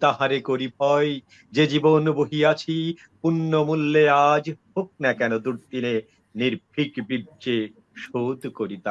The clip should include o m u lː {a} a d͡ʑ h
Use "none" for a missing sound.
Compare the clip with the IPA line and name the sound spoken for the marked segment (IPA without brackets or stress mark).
e